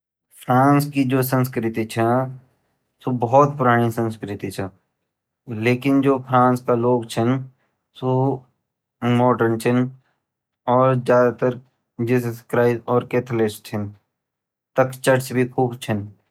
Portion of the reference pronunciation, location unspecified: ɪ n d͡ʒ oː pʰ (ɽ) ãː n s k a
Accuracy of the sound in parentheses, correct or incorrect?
incorrect: ɾ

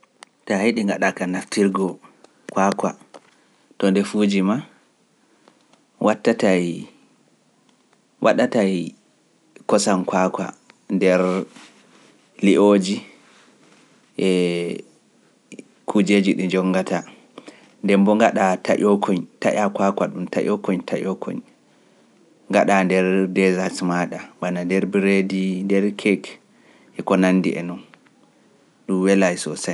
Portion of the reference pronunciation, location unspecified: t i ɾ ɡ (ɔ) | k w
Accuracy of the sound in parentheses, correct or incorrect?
correct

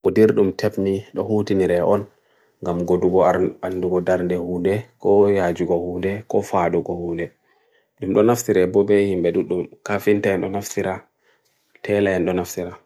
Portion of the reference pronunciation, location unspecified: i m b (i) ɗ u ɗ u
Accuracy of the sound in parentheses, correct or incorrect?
incorrect: ɛ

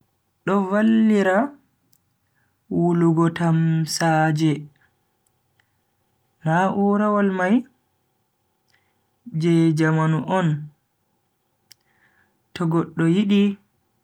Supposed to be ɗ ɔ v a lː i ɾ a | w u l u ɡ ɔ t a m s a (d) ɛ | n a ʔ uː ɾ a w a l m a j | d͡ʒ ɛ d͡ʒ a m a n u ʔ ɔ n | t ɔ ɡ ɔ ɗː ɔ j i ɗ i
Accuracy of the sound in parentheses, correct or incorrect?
incorrect: d͡ʒ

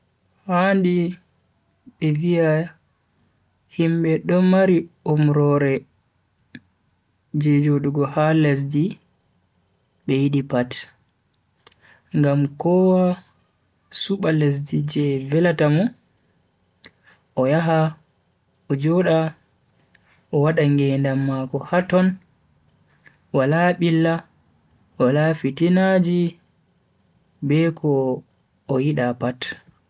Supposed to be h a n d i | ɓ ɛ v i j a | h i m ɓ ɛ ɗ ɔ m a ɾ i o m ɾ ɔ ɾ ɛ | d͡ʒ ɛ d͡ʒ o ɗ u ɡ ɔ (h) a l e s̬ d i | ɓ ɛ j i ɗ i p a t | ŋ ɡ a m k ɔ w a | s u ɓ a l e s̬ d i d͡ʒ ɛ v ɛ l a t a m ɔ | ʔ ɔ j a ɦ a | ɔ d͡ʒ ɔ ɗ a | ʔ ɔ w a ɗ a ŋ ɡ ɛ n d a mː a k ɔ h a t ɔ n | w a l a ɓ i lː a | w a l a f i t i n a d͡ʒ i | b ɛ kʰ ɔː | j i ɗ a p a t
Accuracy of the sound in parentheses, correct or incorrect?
correct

